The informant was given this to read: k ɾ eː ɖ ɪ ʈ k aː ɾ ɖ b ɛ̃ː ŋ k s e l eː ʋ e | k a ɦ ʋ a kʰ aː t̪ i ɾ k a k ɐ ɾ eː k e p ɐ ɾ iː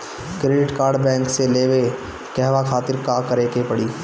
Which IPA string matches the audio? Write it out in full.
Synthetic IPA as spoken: k ɾ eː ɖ ɪ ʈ k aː ɾ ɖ b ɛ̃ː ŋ k s e l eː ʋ e | k ɛ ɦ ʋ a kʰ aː t̪ ɪ ɾ k a k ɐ ɾ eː k e p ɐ ɽ iː